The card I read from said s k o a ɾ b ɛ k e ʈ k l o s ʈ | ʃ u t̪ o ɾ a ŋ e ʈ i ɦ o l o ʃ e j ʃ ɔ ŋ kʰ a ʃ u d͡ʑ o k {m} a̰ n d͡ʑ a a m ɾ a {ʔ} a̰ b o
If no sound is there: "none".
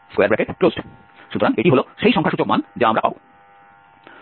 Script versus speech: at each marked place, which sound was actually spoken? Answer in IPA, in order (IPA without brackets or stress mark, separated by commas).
m, p